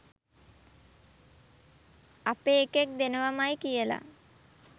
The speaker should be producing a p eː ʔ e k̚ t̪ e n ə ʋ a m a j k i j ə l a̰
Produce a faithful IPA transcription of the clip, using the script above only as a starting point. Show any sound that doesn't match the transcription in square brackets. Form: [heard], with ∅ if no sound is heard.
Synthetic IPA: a p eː [k] e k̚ [d̪] e n ə ʋ a m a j k i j ə l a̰